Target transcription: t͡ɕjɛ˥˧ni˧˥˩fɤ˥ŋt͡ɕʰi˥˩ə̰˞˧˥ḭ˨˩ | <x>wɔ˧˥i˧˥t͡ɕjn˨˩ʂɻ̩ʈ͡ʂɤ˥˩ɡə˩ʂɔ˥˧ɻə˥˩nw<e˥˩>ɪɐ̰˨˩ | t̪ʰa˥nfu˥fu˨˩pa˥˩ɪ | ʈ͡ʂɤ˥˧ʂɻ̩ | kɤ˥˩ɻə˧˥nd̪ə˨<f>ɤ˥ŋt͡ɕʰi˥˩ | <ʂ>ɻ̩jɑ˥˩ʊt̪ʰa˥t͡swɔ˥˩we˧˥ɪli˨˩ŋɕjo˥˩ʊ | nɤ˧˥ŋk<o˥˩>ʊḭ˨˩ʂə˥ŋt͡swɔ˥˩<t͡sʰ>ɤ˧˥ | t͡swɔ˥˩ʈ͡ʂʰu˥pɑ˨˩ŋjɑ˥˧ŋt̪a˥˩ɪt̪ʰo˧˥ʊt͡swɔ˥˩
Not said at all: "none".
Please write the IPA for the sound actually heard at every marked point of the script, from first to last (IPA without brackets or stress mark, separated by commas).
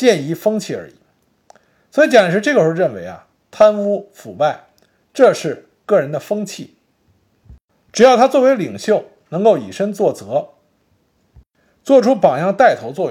s, e˧˥, f, ʈ͡ʂ, o˥˩, t͡s